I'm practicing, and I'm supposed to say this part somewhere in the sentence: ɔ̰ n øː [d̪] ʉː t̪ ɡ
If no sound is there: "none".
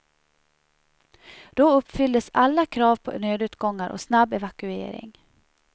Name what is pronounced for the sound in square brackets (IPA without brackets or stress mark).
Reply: d̪